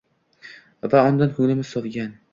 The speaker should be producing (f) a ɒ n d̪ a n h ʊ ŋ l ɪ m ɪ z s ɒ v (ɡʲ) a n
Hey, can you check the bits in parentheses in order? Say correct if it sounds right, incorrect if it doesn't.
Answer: incorrect: v, correct

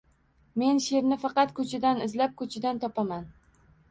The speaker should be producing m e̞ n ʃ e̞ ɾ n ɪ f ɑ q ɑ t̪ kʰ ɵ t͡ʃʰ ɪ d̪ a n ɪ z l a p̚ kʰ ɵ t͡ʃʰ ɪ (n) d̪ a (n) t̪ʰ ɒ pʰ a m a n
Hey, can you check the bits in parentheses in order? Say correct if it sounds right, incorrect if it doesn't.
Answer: incorrect: none, correct

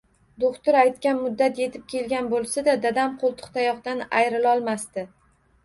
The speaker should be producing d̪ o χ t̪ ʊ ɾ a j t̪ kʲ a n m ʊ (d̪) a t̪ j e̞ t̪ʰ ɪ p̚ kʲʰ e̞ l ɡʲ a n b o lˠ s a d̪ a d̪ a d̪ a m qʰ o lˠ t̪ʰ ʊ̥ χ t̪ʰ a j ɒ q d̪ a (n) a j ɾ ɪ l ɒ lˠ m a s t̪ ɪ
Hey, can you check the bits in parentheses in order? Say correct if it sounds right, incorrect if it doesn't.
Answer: incorrect: d̪ː, correct

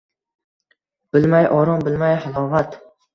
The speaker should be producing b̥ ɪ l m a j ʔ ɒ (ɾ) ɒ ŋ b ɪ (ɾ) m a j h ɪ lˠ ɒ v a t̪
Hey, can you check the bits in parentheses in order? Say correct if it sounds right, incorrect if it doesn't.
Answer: correct, incorrect: l

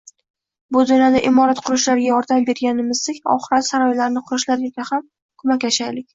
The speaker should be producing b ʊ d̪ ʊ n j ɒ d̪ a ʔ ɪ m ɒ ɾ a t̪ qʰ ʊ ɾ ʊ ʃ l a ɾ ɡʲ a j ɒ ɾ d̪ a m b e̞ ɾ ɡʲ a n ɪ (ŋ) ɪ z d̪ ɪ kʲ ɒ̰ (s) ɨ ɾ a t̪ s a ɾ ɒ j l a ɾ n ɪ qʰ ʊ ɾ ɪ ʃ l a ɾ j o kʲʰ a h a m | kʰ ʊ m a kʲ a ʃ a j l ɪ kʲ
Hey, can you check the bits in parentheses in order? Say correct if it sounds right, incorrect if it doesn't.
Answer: incorrect: m, incorrect: χ

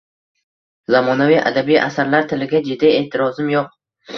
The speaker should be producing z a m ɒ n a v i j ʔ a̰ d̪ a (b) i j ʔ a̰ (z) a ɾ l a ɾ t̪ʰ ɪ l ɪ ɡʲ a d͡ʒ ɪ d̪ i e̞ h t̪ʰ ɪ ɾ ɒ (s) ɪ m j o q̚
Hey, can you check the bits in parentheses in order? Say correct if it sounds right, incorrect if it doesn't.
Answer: correct, incorrect: s, incorrect: z

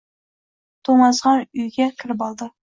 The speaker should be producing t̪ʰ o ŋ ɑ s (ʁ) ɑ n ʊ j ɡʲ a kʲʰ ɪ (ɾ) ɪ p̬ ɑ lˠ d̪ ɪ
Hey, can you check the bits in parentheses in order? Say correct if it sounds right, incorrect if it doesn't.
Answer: correct, correct

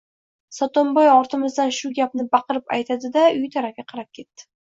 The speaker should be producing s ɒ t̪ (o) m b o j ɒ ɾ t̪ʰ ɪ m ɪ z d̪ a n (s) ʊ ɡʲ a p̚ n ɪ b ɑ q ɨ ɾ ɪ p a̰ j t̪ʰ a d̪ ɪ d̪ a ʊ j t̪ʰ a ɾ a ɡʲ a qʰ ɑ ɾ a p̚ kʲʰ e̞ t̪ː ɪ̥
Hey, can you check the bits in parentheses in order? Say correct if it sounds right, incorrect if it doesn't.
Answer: correct, incorrect: ʃ

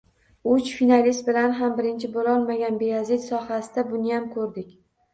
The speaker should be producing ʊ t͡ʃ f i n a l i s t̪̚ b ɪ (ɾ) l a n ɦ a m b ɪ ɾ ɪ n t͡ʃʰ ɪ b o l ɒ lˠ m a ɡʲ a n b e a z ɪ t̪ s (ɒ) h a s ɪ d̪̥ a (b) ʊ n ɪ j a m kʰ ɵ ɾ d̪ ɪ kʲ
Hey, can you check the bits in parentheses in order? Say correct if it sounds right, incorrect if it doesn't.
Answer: incorrect: none, correct, correct

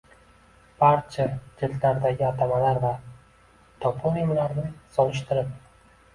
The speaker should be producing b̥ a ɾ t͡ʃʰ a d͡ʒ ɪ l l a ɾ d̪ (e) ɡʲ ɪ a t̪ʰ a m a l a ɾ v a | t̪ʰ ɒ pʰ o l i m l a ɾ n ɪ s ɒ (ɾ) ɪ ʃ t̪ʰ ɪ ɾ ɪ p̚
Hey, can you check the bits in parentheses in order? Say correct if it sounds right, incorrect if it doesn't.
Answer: incorrect: a, incorrect: l

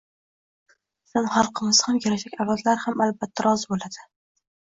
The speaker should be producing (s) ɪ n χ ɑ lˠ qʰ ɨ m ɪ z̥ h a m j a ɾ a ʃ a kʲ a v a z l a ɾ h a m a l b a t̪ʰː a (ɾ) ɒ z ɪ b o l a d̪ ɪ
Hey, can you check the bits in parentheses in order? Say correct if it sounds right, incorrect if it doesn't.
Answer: correct, correct

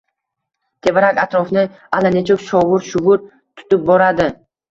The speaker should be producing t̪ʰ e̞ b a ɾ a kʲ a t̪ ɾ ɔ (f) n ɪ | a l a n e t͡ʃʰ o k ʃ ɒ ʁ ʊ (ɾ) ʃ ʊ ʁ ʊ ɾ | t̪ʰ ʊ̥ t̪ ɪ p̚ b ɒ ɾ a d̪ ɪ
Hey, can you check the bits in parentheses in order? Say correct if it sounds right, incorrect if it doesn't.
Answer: correct, correct

